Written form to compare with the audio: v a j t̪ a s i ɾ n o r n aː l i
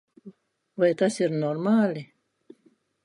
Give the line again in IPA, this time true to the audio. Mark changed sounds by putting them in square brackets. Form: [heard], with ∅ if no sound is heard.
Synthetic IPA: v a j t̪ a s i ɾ n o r [m] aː l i